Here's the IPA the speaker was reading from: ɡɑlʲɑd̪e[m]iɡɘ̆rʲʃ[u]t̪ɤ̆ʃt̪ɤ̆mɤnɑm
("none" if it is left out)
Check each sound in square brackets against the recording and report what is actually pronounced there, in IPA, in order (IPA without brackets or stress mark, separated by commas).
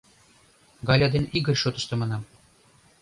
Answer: n, o